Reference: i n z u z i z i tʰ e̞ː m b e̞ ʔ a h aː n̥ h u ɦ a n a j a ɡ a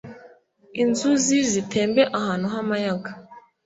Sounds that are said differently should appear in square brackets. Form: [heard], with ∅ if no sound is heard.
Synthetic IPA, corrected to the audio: i n z u z i z i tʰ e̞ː m b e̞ ʔ a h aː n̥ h u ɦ a [m] a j a ɡ a